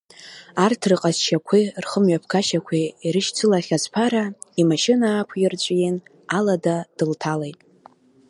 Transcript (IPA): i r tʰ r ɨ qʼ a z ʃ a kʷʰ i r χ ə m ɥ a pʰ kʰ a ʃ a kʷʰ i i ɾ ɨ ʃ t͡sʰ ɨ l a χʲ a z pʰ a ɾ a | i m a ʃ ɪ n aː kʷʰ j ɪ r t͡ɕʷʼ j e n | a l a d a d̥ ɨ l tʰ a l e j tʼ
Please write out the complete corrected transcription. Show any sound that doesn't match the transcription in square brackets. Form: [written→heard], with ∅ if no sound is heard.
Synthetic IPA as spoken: [i→a] r tʰ r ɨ qʼ a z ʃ a kʷʰ i r χ ə m ɥ a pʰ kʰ a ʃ a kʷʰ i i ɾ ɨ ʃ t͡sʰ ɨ l a χʲ a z pʰ a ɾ a | i m a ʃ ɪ n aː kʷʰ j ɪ r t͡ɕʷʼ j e n | a l a d a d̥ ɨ l tʰ a l e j tʼ